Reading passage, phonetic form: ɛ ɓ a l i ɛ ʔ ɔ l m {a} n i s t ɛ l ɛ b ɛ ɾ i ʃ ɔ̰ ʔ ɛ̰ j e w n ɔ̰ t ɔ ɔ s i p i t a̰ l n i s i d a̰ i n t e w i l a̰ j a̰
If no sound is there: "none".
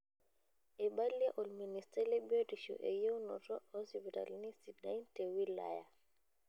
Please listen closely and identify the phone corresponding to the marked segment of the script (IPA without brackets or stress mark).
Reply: i